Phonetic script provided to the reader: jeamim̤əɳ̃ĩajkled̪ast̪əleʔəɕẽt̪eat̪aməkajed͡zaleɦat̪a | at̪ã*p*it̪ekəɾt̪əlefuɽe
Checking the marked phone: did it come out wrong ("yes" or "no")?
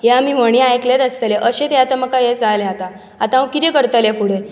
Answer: yes